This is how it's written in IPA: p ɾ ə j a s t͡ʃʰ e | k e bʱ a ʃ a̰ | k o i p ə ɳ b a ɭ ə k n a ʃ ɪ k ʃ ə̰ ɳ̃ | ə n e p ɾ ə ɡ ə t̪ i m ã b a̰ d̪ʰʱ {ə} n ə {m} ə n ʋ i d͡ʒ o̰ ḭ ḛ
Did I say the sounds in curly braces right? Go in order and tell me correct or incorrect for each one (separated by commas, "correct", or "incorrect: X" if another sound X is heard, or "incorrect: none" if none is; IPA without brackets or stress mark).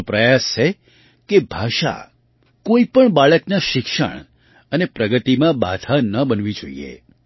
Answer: incorrect: a, incorrect: b